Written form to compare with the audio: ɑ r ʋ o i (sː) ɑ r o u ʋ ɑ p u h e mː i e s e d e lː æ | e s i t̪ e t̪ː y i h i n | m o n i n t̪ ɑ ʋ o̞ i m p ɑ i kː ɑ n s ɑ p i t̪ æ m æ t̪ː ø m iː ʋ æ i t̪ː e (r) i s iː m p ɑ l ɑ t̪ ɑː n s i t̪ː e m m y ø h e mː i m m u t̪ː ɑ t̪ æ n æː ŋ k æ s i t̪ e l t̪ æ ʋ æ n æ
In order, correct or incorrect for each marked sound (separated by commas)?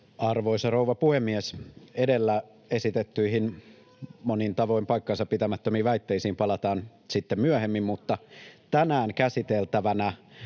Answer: incorrect, incorrect